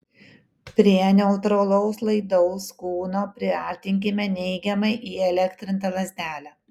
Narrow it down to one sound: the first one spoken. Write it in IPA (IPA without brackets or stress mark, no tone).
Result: pʲ